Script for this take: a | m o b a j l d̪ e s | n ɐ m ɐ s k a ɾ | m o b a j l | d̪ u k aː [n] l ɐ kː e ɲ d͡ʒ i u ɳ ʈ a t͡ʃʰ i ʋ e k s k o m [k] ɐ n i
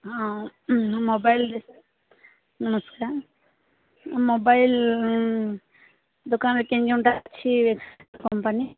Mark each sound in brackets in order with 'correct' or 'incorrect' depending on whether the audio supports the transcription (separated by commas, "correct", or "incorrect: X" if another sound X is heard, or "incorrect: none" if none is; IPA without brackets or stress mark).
correct, incorrect: p